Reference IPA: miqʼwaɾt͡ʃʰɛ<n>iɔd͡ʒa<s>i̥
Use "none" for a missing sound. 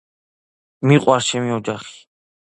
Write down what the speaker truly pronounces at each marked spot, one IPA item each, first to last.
m, χ

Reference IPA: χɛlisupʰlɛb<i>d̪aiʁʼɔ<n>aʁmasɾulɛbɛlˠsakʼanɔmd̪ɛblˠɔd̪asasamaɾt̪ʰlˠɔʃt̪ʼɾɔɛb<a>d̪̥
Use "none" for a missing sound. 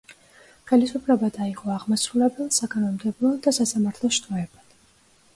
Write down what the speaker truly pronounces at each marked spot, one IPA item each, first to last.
a, none, a

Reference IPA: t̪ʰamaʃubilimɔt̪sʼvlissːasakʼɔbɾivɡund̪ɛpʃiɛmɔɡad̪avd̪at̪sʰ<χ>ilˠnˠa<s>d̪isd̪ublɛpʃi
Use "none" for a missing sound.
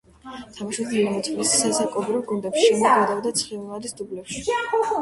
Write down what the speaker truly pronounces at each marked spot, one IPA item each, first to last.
χ, none

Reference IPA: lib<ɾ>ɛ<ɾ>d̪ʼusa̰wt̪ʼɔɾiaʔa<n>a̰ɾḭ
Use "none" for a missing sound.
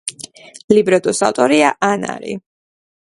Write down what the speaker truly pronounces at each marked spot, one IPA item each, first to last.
ɾ, none, n

